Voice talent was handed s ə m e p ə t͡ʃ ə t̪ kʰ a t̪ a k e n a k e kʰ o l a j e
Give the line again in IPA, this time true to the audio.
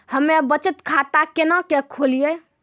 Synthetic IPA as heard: h ə m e b ə t͡ʃ ə t̪ kʰ a t̪ a k e n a k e kʰ o l i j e